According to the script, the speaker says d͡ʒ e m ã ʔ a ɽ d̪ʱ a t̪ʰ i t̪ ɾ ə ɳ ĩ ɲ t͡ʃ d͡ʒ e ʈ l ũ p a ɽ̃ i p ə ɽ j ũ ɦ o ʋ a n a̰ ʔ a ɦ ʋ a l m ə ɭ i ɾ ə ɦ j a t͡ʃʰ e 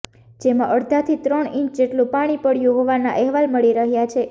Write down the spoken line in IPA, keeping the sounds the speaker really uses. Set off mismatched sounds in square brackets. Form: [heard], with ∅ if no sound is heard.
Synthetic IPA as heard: d͡ʒ e m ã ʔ [ə] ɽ d̪ʱ a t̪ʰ i t̪ ɾ ə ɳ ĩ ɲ t͡ʃ d͡ʒ e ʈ l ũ p a ɽ̃ i p ə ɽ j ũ ɦ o ʋ a n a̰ ʔ [ɛ] ɦ ʋ a l m ə ɭ i ɾ ə ɦ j a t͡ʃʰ e